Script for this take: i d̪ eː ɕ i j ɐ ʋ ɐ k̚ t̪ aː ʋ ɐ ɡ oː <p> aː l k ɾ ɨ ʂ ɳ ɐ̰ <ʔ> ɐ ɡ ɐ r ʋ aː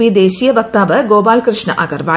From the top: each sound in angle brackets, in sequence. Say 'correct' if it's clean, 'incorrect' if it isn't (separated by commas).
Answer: incorrect, correct